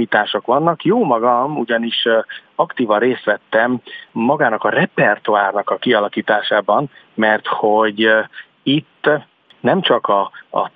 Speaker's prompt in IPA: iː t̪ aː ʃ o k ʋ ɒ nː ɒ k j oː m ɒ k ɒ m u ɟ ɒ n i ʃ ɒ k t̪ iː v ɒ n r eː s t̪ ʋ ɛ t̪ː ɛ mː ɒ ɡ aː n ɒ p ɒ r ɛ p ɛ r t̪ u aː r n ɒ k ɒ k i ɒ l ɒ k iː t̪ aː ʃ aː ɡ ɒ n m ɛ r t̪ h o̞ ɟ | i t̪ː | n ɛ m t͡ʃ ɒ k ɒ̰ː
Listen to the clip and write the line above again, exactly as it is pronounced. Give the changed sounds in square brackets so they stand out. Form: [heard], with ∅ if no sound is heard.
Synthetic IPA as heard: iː t̪ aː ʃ o k ʋ ɒ nː ɒ k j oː m ɒ [ɡ] ɒ m u ɟ ɒ n i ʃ ɒ k t̪ iː v ɒ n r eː s t̪ ʋ ɛ t̪ː ɛ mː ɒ ɡ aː n ɒ [k] ɒ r ɛ p ɛ r t̪ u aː r n ɒ k ɒ k i ɒ l ɒ k iː t̪ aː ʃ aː [b] ɒ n m ɛ r t̪ h o̞ ɟ | i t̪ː | n ɛ m t͡ʃ ɒ k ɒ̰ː